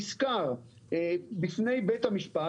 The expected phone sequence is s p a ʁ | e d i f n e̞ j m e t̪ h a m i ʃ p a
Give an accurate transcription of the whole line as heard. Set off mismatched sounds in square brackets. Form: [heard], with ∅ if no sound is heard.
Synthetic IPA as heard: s [k] a ʁ | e [b] i f n e̞ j [b] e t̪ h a m i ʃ p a